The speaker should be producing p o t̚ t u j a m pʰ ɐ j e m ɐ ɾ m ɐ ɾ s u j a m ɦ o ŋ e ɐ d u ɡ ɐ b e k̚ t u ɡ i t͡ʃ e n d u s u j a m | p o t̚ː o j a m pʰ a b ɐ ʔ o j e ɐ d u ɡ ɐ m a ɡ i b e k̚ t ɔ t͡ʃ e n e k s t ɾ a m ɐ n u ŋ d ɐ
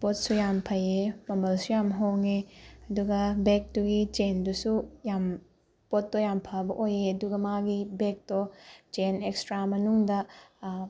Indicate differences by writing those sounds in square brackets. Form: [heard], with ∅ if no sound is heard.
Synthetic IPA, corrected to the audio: p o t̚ [s] u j a m pʰ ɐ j e m ɐ [∅] m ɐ [l] s u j a m ɦ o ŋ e ɐ d u ɡ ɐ b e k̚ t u ɡ i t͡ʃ e n d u s u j a m | p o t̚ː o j a m pʰ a b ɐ ʔ o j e ɐ d u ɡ ɐ m a ɡ i b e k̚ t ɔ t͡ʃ e n e k s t ɾ a m ɐ n u ŋ d ɐ

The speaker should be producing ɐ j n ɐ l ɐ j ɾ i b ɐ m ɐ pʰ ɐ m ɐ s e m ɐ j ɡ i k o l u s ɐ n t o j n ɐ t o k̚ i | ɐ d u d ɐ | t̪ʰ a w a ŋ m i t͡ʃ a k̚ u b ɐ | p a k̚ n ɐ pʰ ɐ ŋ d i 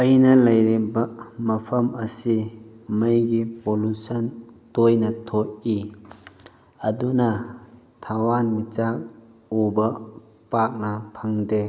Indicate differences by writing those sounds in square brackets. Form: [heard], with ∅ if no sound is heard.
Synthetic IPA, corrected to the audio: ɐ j n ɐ l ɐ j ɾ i b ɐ m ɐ pʰ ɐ m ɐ s [i] m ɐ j ɡ i [p] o l u s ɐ n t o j n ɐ [tʰ] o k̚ i | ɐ d u [n] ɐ | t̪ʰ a w a [n] m i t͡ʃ a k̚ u b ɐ | p a k̚ n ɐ pʰ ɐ ŋ d [e]

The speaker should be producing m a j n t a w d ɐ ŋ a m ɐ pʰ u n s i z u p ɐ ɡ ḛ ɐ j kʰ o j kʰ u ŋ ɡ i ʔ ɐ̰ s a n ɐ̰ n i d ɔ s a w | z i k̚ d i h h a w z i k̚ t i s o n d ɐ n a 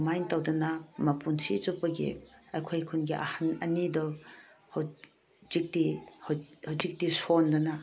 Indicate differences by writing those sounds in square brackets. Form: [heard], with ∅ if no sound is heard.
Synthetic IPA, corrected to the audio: m a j n t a w d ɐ [n] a m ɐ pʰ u n s i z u p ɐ ɡ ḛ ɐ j kʰ o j kʰ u [n] ɡ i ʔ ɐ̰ [h] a n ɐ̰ n i d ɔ [h] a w | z i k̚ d i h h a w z i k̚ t i s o n d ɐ n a

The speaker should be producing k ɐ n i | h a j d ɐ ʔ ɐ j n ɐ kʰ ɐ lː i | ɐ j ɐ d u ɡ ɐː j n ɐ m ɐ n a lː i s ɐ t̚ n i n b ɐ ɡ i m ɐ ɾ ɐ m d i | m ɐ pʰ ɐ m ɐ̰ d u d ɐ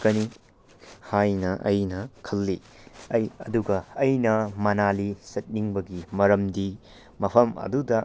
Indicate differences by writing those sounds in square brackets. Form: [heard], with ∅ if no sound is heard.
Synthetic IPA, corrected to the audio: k ɐ n i | h a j [n] ɐ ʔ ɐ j n ɐ kʰ ɐ lː i | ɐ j ɐ d u ɡ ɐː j n ɐ m ɐ n a [l] i s ɐ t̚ n i [ŋ] b ɐ ɡ i m ɐ ɾ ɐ m d i | m ɐ pʰ ɐ m ɐ̰ d u d ɐ

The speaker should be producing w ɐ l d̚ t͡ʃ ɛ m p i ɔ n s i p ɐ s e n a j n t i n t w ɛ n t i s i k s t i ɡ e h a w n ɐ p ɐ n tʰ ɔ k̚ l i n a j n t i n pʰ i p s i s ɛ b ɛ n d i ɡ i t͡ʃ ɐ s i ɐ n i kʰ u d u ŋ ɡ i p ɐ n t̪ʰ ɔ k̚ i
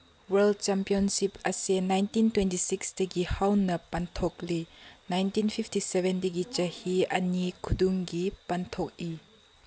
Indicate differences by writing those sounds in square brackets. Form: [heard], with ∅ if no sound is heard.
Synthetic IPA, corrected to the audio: w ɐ l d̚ t͡ʃ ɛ m p i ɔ n s i p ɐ s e n a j n t i n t w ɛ n t i s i k s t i ɡ [i] h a w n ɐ p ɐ n tʰ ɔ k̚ l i n a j n t i n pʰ i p [t] i s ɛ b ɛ n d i ɡ i t͡ʃ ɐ [h] i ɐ n i kʰ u d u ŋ ɡ i p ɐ n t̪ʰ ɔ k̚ i

